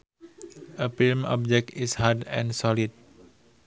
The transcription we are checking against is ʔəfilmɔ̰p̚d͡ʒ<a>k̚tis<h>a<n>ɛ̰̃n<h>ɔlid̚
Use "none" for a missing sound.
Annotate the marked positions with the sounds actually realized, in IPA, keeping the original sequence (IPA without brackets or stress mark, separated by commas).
ɛ, h, d, s